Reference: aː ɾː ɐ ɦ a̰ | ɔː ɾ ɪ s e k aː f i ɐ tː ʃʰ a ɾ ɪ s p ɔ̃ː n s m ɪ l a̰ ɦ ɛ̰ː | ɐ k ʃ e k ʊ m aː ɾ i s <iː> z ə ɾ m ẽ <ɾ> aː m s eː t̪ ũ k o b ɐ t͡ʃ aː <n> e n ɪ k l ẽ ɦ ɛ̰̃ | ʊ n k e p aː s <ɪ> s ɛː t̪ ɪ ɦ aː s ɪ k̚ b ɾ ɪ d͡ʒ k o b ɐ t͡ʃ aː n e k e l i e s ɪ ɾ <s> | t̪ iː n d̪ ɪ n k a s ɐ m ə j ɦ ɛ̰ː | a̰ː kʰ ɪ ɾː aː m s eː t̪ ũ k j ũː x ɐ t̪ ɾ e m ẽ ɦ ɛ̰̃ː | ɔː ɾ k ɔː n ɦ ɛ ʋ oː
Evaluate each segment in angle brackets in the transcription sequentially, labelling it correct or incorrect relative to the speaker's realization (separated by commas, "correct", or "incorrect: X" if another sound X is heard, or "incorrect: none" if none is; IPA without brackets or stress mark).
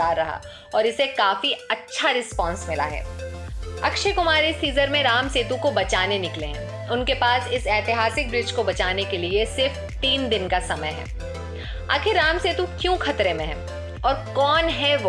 correct, correct, correct, correct, incorrect: f